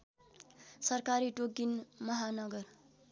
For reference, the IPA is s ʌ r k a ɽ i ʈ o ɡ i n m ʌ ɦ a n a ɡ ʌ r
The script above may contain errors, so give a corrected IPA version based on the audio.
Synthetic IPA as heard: s ʌ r k a ɾ i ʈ o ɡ i n m ʌ ɦ a n ʌ ɡ ʌ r